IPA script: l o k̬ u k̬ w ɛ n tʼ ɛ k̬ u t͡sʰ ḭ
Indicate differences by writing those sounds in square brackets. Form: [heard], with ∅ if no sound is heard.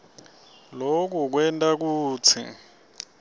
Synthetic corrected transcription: l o k̬ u k̬ w ɛ n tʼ [a] k̬ [uː] t͡sʰ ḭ